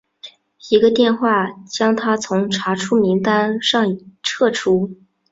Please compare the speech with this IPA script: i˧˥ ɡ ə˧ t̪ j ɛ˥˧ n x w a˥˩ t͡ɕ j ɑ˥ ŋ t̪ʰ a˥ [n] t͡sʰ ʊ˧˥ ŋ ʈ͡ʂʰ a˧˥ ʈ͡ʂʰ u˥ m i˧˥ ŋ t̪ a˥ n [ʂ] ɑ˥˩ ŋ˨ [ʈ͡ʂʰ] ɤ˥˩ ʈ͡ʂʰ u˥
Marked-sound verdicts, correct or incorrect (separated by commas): incorrect, correct, correct